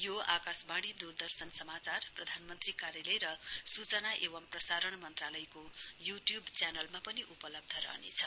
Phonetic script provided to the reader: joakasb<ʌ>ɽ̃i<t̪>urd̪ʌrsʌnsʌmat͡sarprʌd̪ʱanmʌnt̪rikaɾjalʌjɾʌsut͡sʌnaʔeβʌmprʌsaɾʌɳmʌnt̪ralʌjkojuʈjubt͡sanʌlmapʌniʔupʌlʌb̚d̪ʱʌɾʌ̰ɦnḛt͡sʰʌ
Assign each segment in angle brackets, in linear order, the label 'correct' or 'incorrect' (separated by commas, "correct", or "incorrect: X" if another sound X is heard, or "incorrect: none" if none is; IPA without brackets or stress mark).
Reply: incorrect: a, incorrect: d̪